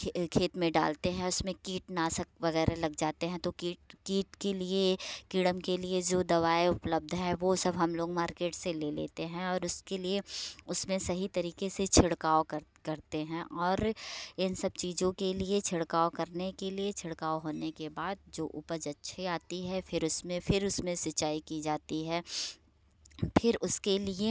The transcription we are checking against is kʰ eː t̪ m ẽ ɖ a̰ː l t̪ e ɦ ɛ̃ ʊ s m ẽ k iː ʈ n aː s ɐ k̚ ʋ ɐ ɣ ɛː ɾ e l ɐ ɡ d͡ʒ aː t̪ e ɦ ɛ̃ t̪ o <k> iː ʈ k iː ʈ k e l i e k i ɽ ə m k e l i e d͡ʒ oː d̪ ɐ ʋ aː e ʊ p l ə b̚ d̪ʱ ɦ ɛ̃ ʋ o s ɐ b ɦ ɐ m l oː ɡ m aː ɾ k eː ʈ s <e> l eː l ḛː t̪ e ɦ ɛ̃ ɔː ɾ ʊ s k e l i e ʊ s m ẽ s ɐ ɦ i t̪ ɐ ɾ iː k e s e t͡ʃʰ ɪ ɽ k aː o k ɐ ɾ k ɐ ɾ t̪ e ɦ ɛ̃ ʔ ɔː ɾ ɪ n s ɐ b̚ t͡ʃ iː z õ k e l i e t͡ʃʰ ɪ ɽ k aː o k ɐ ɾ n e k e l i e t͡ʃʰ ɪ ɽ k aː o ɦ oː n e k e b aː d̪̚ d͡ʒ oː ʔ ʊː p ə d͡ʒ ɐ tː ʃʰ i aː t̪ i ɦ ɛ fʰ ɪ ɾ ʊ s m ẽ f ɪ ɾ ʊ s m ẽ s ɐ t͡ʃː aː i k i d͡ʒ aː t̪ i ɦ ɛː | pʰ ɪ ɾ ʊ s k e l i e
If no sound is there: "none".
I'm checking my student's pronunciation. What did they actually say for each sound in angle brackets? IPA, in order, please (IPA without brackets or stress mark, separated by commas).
k, e